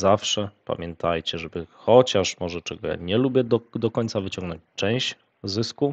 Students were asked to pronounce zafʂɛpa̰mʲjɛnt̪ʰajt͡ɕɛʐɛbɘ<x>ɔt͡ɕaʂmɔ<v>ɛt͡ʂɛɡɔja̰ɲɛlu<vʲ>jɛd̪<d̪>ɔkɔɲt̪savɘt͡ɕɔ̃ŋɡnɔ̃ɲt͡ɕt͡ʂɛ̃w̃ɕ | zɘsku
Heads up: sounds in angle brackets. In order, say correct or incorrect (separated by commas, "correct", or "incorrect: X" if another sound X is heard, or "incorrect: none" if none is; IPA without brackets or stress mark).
correct, incorrect: ʐ, incorrect: bʲ, correct